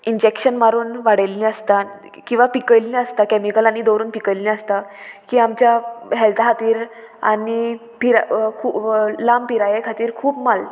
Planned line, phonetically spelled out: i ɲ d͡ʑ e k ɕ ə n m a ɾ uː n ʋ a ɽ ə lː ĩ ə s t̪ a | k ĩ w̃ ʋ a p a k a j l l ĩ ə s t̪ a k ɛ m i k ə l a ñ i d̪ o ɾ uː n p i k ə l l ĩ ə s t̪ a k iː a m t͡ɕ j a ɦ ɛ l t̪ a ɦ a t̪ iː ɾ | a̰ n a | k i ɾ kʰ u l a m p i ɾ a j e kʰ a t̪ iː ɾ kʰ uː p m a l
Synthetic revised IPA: i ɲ d͡ʑ e k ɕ ə n m a ɾ uː n ʋ a ɽ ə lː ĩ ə s t̪ a | k ĩ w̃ ʋ a p i k ə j l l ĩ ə s t̪ a k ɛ m i k ə l a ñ i d̪ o ɾ uː n p i k ə l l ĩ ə s t̪ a k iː a m t͡ɕ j a ɦ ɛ l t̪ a ɦ a t̪ iː ɾ | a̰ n i | p i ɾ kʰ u l a m p i ɾ a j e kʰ a t̪ iː ɾ kʰ uː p m a l

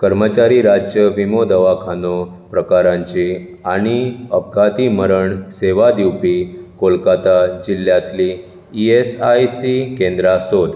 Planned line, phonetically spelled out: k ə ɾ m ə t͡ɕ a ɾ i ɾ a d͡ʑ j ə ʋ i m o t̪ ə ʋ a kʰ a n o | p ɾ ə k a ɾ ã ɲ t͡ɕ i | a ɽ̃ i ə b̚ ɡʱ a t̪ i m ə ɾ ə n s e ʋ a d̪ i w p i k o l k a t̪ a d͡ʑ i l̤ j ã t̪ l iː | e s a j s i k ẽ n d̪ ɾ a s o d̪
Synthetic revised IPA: k ə ɾ m ə t͡ɕ a ɾ i ɾ a d͡ʑ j ə ʋ i m o d̪ ə ʋ a kʰ a n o | p ɾ ə k a ɾ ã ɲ t͡ɕ i | a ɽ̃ i ə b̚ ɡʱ a t̪ i m ə ɾ ə ɳ s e ʋ a d̪ i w p i k o l k a t̪ a d͡ʑ i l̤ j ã t̪ l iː | e s a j s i k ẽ n d̪ ɾ a s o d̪

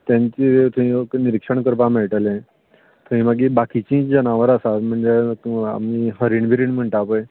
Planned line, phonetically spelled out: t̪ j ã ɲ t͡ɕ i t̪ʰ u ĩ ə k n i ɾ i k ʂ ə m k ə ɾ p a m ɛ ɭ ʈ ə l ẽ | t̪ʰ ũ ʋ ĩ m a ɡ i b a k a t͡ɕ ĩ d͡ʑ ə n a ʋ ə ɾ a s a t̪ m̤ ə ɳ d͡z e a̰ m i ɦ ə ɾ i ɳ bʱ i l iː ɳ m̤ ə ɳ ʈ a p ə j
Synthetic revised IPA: t̪ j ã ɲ t͡ɕ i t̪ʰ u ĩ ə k n i ɾ i k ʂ ə ɳ k ə ɾ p a m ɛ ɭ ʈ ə l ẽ | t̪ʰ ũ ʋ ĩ m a ɡ i b a k i t͡ɕ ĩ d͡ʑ ə n a ʋ ə ɾ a s a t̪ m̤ ə ɳ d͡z e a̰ m i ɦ ə ɾ i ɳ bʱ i ɾ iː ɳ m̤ ə ɳ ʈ a p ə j

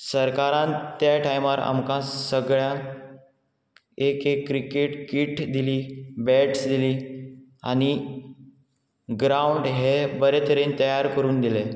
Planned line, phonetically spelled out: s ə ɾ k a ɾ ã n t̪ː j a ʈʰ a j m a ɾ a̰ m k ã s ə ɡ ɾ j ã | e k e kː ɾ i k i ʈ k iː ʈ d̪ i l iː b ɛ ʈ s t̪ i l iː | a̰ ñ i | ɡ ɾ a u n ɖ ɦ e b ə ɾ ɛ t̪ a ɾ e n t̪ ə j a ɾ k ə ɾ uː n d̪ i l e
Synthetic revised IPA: s ə ɾ k a ɾ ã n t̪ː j a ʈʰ a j m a ɾ a̰ m k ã s ə ɡ ɭ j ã | e k e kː ɾ i k e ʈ k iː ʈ d̪ i l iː b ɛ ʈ s d̪ i l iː | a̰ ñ i | ɡ ɾ a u ɳ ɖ ɦ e b ə ɾ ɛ t̪ ə ɾ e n t̪ ə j a ɾ k ə ɾ uː n d̪ i l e

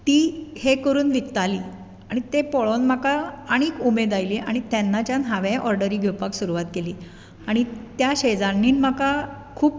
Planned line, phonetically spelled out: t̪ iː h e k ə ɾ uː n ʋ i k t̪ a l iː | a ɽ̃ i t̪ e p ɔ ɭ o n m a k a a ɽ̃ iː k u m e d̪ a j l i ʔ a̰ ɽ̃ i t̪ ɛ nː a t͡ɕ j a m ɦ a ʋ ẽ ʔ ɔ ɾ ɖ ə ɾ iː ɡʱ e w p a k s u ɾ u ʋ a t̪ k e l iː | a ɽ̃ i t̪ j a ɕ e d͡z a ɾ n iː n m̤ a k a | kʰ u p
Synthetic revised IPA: t̪ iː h e k ə ɾ uː n ʋ i k t̪ a l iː | a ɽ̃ i t̪ e p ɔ ɭ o n m a k a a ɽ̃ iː k u m e d̪ a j l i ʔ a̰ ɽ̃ i t̪ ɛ nː a t͡ɕ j a n ɦ a ʋ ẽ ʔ ɔ ɾ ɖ ə ɾ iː ɡʱ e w p a k s u ɾ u ʋ a t̪ k e l iː | a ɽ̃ i t̪ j a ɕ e d͡z a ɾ n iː n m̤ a k a | kʰ uː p

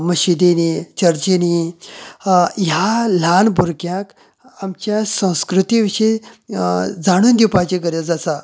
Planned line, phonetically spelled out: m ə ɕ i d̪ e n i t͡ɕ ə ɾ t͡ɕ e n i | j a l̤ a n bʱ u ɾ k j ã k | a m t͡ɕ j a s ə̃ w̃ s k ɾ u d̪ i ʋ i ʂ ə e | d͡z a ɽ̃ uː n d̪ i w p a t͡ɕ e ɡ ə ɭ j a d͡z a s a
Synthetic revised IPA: m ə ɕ i d̪ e n i t͡ɕ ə ɾ t͡ɕ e n i | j a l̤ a n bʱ u ɾ k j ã k | a m t͡ɕ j a s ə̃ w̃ s k ɾ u t̪ i ʋ i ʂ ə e | d͡z a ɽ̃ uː n d̪ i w p a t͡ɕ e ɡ ə ɾ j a d͡z a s a

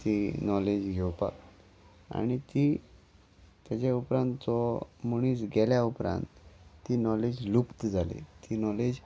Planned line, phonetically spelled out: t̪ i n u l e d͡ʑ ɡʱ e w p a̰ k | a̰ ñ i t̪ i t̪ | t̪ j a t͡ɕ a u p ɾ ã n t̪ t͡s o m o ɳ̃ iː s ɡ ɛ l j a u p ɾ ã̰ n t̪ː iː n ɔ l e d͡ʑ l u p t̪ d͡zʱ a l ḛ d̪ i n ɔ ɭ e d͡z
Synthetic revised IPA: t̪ i n ɔ l e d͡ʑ ɡʱ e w p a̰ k | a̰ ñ i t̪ i | t̪ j a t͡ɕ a u p ɾ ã n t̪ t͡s ɔ m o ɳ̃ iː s ɡ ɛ l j a u p ɾ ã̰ n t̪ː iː n ɔ l e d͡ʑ l u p t̪ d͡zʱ a l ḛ t̪ i n ɔ l e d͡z

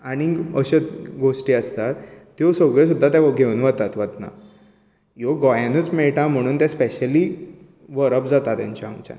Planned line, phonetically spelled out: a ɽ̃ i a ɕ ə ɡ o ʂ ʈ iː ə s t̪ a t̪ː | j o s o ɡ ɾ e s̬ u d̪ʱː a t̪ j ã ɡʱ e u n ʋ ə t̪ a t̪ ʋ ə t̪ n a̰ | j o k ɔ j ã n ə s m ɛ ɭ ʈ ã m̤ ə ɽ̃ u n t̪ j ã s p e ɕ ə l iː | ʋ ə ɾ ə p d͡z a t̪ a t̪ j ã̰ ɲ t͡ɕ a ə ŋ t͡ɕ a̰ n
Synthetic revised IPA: a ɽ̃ i ə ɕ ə ɡ o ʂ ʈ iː ə s t̪ a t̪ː | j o s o ɡ ɭ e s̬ u d̪ʱː a t̪ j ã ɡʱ e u n ʋ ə t̪ a t̪ ʋ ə t̪ n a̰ | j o ɡ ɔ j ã n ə t͡s m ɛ ɭ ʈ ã m̤ ə ɽ̃ uː n t̪ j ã s p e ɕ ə l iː | ʋ ə ɾ ə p d͡z a t̪ a t̪ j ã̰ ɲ t͡ɕ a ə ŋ t͡ɕ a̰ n

